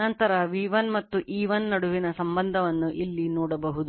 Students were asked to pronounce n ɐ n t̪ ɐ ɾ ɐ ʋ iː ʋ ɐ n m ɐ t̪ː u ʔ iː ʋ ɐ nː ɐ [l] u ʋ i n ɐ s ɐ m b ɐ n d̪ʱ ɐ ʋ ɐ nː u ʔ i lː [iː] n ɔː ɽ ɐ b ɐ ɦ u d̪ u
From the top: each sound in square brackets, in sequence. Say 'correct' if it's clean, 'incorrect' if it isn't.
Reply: incorrect, incorrect

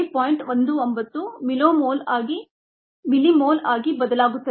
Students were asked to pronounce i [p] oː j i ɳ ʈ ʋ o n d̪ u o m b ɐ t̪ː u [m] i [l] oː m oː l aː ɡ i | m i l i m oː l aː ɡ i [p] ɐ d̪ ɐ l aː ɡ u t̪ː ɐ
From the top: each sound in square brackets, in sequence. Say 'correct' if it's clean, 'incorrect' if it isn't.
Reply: correct, correct, correct, incorrect

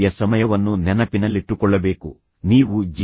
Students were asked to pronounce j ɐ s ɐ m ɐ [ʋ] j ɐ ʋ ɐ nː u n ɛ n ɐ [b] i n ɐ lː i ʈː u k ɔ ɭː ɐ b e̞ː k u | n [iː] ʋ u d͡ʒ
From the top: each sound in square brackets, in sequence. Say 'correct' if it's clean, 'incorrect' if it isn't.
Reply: incorrect, incorrect, correct

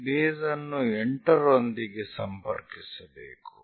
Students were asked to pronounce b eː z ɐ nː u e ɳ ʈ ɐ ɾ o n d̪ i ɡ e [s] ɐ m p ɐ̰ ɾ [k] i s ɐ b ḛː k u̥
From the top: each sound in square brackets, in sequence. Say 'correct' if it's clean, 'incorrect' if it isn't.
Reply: correct, correct

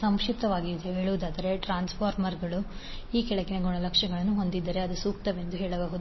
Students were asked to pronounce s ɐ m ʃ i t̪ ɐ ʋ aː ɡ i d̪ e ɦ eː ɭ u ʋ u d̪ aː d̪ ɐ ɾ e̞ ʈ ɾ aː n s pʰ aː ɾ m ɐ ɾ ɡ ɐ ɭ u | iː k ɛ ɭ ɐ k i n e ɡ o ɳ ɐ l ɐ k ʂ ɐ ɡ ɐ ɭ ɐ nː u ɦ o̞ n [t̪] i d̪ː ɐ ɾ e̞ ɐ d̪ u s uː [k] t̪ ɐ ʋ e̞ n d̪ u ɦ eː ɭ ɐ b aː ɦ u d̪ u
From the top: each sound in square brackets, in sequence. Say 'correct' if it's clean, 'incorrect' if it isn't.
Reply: incorrect, correct

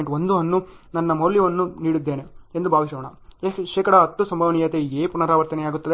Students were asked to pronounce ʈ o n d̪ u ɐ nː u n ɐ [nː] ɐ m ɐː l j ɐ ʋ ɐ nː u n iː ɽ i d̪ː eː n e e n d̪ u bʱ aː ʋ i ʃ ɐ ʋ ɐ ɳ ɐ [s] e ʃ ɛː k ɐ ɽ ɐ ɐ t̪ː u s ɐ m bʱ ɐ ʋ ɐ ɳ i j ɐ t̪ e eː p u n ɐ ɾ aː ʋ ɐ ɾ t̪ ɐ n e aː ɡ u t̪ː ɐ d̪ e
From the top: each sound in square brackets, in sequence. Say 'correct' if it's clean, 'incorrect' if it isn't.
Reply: correct, incorrect

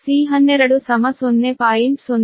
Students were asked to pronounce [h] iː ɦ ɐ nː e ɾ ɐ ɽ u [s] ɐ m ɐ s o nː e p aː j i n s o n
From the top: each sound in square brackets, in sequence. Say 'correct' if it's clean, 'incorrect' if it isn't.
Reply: incorrect, correct

